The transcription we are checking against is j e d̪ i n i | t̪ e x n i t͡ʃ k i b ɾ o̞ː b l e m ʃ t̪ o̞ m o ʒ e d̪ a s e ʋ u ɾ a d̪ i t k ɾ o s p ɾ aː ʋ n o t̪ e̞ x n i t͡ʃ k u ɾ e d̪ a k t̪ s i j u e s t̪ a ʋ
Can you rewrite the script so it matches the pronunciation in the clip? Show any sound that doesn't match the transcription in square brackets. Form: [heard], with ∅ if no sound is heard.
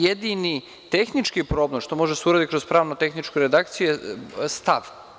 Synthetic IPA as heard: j e d̪ i n i | t̪ e x n i t͡ʃ k i [p] ɾ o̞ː b l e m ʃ t̪ o̞ m o ʒ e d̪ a s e [∅] u ɾ a d̪ i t k ɾ o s p ɾ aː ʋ n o t̪ e̞ x n i t͡ʃ k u ɾ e d̪ a k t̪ s i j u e s t̪ a ʋ